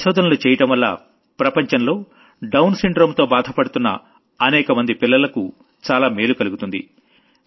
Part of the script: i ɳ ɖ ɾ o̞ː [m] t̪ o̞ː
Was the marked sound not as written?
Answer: no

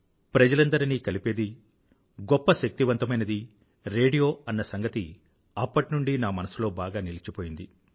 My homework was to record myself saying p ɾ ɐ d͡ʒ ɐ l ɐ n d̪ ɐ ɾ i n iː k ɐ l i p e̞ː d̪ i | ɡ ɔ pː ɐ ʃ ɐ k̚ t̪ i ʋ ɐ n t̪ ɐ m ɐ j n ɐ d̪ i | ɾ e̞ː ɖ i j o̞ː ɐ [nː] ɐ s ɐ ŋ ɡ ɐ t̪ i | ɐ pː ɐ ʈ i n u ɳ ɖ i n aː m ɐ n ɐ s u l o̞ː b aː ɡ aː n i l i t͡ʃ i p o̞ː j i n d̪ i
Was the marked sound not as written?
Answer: no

